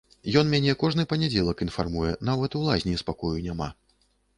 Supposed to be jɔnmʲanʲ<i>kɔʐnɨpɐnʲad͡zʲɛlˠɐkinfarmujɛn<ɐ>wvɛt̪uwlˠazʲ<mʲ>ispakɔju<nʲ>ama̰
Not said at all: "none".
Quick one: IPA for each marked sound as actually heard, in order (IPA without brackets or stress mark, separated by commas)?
ɛ, a, nʲ, nʲ